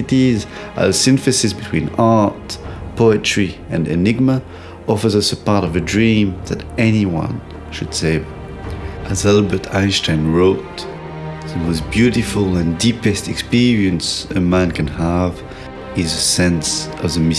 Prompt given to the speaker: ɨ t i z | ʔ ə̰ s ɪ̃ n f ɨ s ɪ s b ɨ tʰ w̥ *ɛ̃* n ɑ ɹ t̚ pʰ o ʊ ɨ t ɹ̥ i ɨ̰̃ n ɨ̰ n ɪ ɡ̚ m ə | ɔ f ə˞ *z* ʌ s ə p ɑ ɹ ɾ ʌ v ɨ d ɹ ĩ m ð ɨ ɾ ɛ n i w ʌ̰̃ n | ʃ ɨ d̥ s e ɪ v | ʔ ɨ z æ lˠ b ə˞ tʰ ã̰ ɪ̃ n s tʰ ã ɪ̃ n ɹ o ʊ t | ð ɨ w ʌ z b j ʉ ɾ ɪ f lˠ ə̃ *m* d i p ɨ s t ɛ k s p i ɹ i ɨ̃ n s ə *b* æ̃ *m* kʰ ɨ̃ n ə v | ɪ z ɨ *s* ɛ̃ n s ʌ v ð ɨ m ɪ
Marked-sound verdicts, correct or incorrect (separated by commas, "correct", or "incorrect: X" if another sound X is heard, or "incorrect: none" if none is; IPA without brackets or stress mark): incorrect: ĩ, correct, incorrect: n, incorrect: m, incorrect: n, correct